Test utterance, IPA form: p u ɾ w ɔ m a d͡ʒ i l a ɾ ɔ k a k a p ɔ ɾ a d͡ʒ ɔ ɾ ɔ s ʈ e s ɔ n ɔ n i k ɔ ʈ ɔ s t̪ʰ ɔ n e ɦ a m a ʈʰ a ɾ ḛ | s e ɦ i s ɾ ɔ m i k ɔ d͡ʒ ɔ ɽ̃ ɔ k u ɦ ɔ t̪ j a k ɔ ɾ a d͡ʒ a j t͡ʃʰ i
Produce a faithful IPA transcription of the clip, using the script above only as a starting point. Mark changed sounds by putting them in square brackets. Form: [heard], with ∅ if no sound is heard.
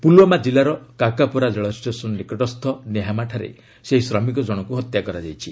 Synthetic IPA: p u [l] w ɔ m a d͡ʒ i l a ɾ ɔ k a k a p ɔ ɾ a d͡ʒ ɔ [ɭ] ɔ s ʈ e s ɔ n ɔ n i k ɔ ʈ ɔ s t̪ʰ ɔ n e ɦ a m a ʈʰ a ɾ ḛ | s e ɦ i s ɾ ɔ m i k ɔ d͡ʒ ɔ ɽ̃ ɔ k u ɦ ɔ t̪ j a k ɔ ɾ a d͡ʒ a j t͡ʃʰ i